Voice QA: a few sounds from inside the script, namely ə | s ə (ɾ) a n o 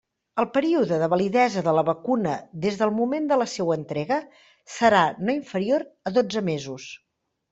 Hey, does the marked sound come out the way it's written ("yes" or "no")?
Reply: yes